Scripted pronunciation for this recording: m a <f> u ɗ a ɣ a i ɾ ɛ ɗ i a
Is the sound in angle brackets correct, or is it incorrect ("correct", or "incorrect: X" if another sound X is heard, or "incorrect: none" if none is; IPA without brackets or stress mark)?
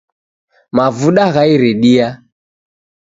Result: incorrect: v